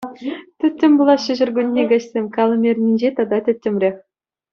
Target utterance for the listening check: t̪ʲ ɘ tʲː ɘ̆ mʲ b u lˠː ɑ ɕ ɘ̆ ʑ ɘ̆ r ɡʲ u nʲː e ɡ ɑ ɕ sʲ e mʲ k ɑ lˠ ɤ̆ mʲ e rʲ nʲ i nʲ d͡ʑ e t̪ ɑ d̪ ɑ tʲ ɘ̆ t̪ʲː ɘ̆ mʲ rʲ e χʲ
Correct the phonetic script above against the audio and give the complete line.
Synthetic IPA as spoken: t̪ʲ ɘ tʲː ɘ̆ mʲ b u lˠ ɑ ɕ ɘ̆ ʑ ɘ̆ r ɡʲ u nʲː e ɡ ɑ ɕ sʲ e mʲ k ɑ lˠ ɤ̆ mʲ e rʲ nʲ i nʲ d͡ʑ e t̪ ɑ d̪ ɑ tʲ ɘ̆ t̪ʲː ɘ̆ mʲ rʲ e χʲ